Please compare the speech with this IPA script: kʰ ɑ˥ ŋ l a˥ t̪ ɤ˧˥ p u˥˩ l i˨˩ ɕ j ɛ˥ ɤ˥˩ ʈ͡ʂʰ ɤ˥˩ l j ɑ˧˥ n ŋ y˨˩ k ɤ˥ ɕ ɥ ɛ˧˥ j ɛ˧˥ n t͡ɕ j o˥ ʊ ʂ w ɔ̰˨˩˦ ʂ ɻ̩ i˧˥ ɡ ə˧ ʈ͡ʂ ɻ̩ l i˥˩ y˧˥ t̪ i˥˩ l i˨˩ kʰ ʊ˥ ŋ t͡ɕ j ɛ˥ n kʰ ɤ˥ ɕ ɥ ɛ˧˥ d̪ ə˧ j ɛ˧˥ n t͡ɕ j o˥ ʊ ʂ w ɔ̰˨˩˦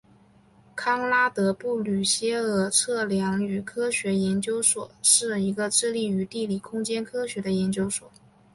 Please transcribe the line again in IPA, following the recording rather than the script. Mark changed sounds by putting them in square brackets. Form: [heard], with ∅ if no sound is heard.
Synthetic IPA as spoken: kʰ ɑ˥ ŋ l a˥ t̪ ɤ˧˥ p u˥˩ l [y˨˩] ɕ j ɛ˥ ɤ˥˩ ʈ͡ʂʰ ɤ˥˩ l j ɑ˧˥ [∅] ŋ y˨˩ [kʰ] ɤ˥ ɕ ɥ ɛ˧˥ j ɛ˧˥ n t͡ɕ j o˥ ʊ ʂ w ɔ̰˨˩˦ ʂ ɻ̩ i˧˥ ɡ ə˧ ʈ͡ʂ ɻ̩ l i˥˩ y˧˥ t̪ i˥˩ l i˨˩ kʰ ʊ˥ ŋ t͡ɕ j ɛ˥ n kʰ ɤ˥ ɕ ɥ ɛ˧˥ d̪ ə˧ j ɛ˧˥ n t͡ɕ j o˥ ʊ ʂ w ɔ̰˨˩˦